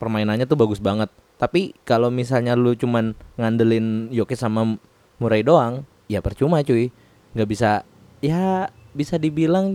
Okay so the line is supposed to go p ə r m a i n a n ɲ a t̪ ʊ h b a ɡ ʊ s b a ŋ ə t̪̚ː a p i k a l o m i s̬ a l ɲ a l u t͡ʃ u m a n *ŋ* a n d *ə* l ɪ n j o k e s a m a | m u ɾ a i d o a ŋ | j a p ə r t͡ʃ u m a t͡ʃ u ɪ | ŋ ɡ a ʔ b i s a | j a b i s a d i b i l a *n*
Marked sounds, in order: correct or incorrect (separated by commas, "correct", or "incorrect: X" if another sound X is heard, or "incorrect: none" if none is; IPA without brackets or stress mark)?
correct, correct, incorrect: ŋ